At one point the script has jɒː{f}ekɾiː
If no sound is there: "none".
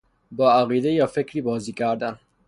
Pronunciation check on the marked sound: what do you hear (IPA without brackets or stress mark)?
f